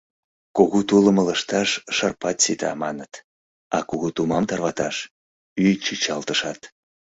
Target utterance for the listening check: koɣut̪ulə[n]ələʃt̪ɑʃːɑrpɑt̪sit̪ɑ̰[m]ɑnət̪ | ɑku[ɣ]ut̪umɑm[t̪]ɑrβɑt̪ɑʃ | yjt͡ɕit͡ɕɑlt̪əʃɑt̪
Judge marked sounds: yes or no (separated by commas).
no, yes, yes, yes